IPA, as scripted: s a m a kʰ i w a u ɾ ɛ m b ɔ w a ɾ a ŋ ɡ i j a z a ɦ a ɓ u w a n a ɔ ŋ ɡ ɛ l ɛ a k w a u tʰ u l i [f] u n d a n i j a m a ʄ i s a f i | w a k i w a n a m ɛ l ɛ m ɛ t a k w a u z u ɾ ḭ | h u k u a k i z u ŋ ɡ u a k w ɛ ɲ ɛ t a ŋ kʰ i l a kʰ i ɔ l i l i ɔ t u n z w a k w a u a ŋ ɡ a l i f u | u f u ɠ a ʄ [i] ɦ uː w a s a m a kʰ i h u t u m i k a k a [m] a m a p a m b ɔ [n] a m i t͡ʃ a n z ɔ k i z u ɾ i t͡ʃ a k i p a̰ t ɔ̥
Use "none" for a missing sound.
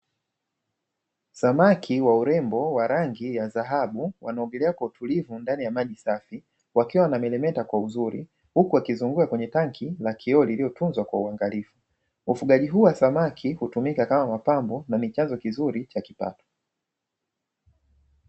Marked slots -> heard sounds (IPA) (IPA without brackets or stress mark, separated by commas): v, i, m, n